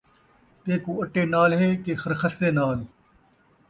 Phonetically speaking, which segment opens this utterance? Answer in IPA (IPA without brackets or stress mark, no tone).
t̪